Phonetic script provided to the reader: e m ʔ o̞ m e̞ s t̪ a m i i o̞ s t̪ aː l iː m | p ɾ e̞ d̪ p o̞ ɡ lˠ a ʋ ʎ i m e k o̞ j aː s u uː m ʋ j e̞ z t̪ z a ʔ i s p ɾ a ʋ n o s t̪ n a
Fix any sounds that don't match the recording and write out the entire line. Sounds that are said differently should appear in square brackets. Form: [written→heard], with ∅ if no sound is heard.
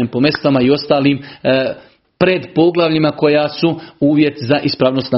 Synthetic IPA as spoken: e m [ʔ→p] o̞ m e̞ s t̪ a m [i→a] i o̞ s t̪ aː l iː m | p ɾ e̞ d̪ p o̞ ɡ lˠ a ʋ ʎ i m [e→a] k o̞ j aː s u uː [m→∅] ʋ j e̞ [z→∅] t̪ z a ʔ i s p ɾ a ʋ n o s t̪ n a